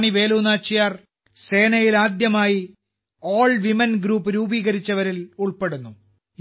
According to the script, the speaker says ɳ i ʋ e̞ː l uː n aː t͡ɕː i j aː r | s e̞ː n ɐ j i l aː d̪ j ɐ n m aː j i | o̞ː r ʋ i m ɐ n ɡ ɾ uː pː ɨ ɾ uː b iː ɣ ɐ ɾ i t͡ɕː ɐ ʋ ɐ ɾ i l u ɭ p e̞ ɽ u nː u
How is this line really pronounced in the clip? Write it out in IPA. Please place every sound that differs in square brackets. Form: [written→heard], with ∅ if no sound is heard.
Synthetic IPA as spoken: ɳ i ʋ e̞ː l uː n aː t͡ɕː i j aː r | s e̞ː n ɐ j i l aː d̪ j ɐ [n→∅] m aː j i | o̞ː [r→ɭ] ʋ i m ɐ n ɡ ɾ uː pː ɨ ɾ uː b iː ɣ ɐ ɾ i t͡ɕː ɐ ʋ ɐ ɾ i l u ɭ p e̞ ɽ u nː u